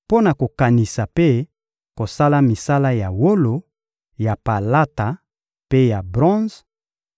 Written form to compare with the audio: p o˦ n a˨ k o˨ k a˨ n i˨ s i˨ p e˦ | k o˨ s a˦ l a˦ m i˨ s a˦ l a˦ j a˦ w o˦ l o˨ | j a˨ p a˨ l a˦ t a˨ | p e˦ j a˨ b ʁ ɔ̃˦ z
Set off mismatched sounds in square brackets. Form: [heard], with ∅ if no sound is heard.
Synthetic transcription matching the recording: p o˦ n a˨ k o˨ k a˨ n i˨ s [a˨] p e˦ | k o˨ s a˦ l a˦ m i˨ s a˦ l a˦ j [a˨] w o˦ l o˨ | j a˨ p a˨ l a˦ t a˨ | p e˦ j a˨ b ʁ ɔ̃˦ z